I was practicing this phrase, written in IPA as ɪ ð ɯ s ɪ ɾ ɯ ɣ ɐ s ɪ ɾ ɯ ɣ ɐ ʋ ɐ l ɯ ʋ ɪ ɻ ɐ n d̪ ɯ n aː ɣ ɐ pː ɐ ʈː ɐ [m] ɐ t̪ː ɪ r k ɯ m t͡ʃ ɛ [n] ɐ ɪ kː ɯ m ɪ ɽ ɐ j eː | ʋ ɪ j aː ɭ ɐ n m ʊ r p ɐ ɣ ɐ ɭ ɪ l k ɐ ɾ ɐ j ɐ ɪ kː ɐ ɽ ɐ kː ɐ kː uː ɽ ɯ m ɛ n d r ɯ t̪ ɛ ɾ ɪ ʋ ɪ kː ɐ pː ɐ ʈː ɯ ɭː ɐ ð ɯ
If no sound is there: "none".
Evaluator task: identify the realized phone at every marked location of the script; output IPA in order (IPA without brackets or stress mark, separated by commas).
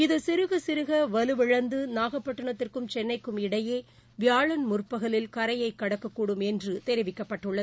ɳ, nː